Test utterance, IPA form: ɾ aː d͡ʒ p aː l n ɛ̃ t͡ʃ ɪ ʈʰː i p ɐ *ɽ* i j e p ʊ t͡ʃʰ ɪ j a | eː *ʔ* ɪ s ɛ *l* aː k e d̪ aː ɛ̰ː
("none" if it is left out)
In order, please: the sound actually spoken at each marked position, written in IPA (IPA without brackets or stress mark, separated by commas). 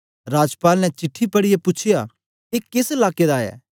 ɽ, k, l